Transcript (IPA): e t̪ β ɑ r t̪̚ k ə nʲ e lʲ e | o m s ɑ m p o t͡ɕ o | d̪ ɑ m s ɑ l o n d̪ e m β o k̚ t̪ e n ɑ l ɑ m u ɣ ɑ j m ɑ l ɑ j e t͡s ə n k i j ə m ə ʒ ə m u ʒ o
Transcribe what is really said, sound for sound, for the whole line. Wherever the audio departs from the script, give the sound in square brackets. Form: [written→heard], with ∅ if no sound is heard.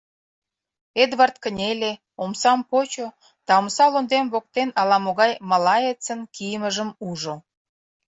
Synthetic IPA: e [t̪→d̪] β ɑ r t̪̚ k ə nʲ e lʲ e | o m s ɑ m p o t͡ɕ o | [d̪→t̪] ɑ m s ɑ l o n d̪ e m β o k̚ t̪ e n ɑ l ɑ m [u→o] ɣ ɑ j m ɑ l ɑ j e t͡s ə n k i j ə m ə ʒ ə m u ʒ o